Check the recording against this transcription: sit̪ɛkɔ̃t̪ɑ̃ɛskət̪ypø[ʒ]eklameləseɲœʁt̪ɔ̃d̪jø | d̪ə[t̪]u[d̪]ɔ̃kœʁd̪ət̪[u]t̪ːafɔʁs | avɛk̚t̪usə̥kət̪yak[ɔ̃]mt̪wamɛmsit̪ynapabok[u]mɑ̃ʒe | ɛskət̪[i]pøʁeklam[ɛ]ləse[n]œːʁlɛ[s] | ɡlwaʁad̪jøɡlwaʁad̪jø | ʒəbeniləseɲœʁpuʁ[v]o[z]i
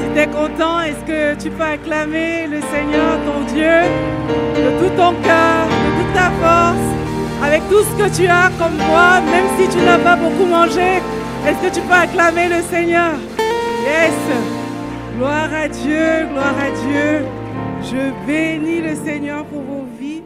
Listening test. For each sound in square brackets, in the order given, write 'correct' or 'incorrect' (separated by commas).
incorrect, correct, incorrect, correct, incorrect, correct, incorrect, incorrect, incorrect, correct, correct, incorrect